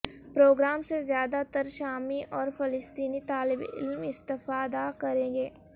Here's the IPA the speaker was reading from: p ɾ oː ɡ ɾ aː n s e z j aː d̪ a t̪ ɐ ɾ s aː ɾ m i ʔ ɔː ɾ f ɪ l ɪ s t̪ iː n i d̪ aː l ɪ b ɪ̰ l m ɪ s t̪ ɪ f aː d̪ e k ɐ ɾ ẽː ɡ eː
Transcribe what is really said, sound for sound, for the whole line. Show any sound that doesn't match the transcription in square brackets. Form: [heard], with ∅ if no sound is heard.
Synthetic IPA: p ɾ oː ɡ ɾ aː [m] s e z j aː d̪ a t̪ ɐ ɾ [ʃ] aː [∅] m i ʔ ɔː ɾ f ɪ l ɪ s t̪ iː n i [t̪] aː l ɪ b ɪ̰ l m ɪ s t̪ ɪ f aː d̪ [a] k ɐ ɾ ẽː ɡ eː